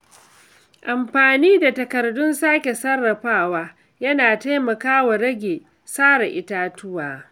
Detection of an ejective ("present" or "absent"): absent